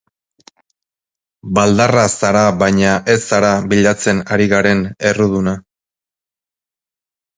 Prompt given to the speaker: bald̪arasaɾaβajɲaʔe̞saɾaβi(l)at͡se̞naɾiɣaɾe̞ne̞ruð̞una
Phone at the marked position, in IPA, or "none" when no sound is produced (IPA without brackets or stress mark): ʎ